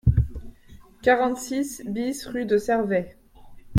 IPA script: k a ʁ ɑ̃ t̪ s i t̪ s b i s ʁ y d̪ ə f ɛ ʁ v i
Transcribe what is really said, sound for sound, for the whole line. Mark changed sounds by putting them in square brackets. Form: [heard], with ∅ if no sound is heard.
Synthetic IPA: k a ʁ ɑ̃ t̪ s i [∅] s b i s ʁ y d̪ ə [s] ɛ ʁ v [ɛ]